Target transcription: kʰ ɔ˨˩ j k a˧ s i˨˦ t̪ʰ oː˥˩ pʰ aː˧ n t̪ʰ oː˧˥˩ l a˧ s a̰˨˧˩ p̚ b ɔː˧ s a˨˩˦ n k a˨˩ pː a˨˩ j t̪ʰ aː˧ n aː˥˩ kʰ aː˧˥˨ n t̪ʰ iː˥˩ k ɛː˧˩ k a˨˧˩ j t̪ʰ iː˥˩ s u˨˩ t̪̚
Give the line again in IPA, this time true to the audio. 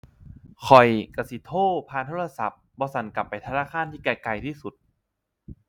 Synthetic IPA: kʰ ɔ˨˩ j k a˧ s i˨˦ t̪ʰ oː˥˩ pʰ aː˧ n t̪ʰ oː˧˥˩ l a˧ s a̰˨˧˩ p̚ b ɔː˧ s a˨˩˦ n k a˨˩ pː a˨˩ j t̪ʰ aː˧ n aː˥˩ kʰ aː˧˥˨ n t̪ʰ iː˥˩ k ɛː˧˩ k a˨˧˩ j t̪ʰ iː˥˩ s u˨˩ t̪̚